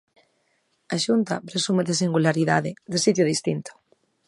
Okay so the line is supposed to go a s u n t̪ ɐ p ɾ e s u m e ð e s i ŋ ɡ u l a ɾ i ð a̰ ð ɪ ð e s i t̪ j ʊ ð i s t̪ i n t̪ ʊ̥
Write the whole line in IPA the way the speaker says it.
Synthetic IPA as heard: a ʃ u n t̪ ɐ p ɾ e s u m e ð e s i ŋ ɡ u l a ɾ i ð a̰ ð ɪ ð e s i t̪ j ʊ ð i s t̪ i n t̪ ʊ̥